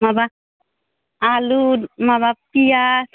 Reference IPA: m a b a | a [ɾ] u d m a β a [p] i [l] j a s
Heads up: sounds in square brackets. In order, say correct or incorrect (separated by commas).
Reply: incorrect, correct, incorrect